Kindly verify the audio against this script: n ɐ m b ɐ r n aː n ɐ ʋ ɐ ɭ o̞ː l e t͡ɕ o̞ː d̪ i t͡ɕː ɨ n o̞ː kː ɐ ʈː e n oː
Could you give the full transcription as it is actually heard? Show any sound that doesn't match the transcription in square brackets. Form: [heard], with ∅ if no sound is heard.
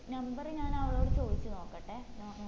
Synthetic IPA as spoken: n ɐ m b ɐ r [ɲ] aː n ɐ ʋ ɐ ɭ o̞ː [ɽ] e t͡ɕ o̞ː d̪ i t͡ɕː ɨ n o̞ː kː ɐ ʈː e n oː

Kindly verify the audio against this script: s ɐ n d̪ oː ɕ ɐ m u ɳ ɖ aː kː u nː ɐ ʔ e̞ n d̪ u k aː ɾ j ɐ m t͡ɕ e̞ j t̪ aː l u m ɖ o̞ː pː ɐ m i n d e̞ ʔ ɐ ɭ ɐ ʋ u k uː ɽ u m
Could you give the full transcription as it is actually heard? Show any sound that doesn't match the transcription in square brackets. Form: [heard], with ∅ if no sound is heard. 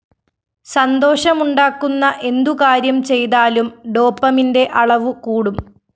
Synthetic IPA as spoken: s ɐ n d̪ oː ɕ ɐ m u ɳ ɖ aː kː u nː ɐ ʔ e̞ n d̪ u k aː ɾ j ɐ m t͡ɕ e̞ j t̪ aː l u m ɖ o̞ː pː ɐ m i n d e̞ ʔ ɐ ɭ ɐ ʋ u k uː ɽ u m

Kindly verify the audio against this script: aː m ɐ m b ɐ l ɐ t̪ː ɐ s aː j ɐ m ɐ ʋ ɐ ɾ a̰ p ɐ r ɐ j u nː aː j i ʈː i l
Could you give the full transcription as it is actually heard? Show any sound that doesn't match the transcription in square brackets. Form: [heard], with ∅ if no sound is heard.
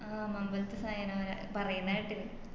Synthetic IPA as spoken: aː m ɐ m b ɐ l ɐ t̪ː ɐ s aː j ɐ [n] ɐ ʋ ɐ ɾ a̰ p ɐ r ɐ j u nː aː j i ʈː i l

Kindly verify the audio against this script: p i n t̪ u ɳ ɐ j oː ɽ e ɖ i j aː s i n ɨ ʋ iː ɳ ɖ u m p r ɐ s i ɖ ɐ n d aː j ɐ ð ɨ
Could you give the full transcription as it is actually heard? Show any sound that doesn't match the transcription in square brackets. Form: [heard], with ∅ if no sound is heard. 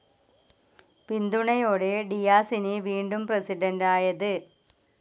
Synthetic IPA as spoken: p i n [d̪] u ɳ ɐ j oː ɽ e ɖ i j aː s i n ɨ ʋ iː ɳ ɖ u m p r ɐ s i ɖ ɐ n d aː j ɐ ð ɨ

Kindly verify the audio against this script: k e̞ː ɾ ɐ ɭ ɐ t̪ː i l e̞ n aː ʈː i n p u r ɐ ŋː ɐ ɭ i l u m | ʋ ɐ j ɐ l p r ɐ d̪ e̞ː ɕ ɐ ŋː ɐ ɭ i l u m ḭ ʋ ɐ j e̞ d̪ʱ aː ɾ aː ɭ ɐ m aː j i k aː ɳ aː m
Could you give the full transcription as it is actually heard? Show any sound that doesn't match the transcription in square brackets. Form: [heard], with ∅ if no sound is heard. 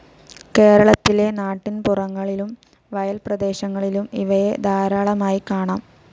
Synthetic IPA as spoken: k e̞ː ɾ ɐ ɭ ɐ t̪ː i l e̞ n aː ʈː i n p u r ɐ ŋː ɐ ɭ i l u m | ʋ ɐ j ɐ l p r ɐ d̪ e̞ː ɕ ɐ ŋː ɐ ɭ i l u m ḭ ʋ ɐ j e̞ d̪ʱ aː ɾ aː ɭ ɐ m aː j i k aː ɳ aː m

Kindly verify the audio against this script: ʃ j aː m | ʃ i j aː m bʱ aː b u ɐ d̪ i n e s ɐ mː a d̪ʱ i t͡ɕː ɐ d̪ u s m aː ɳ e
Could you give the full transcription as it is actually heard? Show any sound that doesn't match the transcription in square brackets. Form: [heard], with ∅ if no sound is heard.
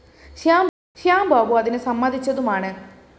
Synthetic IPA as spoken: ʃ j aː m | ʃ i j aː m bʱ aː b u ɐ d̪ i n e s ɐ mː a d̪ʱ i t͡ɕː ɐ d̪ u [∅] m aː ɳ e

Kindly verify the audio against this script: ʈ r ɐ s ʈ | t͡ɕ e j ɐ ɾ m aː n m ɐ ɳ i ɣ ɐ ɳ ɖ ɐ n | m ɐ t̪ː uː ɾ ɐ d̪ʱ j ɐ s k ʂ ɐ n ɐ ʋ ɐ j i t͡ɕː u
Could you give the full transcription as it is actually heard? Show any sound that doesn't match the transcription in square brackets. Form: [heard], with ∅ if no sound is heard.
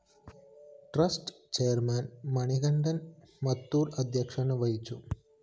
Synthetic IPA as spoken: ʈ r ɐ s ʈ | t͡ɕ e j ɐ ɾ m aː n m ɐ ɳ i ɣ ɐ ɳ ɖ ɐ n | m ɐ t̪ː uː ɾ ɐ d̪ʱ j ɐ [∅] k ʂ ɐ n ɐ ʋ ɐ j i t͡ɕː u

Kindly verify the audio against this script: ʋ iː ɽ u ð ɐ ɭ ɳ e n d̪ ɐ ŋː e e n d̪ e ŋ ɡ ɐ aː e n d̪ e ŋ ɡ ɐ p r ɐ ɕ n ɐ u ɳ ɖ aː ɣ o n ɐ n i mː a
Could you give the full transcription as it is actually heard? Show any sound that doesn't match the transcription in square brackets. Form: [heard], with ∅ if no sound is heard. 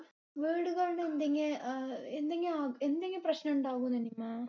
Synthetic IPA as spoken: ʋ iː ɽ u [ɣ] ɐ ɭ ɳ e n d̪ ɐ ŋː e e n d̪ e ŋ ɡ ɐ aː e n d̪ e ŋ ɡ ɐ p r ɐ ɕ n ɐ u ɳ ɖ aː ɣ [u] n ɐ n i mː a

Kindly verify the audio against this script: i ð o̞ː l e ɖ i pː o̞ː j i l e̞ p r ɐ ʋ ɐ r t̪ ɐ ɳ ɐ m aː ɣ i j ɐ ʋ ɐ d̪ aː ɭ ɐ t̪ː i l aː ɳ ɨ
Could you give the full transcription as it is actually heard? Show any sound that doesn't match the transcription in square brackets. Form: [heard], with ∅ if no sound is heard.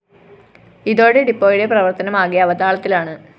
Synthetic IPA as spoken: i ð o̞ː [ɽ] e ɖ i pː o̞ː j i [ɽ] e̞ p r ɐ ʋ ɐ r t̪ ɐ [n] ɐ m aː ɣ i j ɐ ʋ ɐ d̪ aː ɭ ɐ t̪ː i l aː ɳ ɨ

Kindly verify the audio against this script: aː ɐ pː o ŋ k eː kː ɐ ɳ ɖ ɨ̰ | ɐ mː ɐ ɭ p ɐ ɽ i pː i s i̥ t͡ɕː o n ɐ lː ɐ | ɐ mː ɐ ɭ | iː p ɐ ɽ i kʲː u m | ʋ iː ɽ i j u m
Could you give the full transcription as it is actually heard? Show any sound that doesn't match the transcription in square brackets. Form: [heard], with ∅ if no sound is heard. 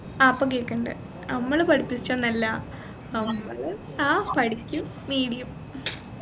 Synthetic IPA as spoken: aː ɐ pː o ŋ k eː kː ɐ ɳ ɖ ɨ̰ | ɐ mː ɐ ɭ p ɐ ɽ i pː i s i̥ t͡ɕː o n ɐ lː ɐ | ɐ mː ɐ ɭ | [aː] p ɐ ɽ i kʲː u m | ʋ iː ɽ i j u m

